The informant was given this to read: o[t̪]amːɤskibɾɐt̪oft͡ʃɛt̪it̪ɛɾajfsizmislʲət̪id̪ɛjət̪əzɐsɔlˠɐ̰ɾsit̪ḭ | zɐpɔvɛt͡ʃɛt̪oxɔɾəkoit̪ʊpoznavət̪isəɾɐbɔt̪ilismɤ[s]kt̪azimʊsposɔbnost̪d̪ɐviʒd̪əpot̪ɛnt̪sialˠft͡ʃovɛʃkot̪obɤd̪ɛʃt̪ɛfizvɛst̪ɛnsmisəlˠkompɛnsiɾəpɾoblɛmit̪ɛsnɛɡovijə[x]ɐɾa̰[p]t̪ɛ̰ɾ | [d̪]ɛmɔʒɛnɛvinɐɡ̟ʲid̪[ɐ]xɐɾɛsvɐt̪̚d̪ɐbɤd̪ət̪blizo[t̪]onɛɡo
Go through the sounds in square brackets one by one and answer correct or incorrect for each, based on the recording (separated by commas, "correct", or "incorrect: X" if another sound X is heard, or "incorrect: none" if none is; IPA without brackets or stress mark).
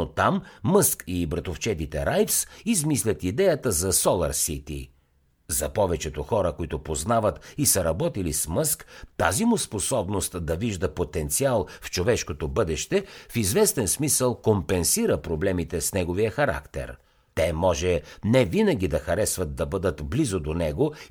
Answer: correct, correct, correct, incorrect: k, incorrect: t̪, correct, incorrect: d̪